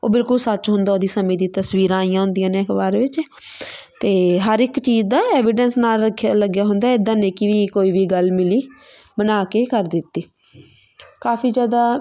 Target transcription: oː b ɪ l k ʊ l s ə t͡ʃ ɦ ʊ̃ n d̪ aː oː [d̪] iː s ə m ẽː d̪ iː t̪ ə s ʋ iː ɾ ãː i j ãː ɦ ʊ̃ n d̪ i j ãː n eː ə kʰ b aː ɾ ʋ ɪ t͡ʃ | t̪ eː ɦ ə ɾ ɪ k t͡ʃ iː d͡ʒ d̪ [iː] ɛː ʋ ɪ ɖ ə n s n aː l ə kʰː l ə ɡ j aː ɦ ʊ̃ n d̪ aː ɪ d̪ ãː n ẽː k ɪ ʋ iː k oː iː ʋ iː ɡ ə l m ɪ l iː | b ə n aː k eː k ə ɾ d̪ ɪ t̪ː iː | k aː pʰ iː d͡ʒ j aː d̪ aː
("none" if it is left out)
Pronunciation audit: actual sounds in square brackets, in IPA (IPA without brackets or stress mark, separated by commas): d̪, aː